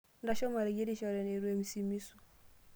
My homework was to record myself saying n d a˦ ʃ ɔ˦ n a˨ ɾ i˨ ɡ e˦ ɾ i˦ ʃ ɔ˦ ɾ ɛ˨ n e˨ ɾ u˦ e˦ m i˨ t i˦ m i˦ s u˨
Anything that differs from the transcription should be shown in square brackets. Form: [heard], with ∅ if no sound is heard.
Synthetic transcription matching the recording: n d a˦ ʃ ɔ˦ [m] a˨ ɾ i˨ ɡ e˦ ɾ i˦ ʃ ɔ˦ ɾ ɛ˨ n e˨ ɾ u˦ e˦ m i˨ [s] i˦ m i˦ s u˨